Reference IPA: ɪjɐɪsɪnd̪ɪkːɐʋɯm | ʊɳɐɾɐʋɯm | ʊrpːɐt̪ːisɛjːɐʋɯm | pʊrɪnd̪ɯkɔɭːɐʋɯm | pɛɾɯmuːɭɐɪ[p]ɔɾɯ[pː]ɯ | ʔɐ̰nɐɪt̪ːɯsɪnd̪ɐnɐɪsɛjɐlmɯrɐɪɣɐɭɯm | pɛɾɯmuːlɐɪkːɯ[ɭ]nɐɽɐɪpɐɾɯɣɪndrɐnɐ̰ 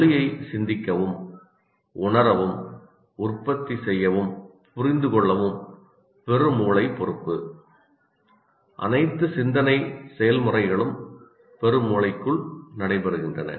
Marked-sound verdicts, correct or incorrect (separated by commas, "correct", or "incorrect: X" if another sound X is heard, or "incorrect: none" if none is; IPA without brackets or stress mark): correct, correct, correct